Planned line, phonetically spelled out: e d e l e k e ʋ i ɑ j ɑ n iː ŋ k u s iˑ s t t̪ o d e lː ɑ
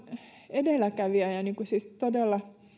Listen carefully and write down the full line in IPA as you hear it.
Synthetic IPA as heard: e d e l æ k æ ʋ i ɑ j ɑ n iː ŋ k u s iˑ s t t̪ o d e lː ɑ